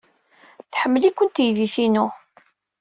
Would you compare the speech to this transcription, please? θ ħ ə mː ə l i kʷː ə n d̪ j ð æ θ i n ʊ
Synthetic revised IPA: θ ħ ə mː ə l i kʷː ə n t̪ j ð i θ i n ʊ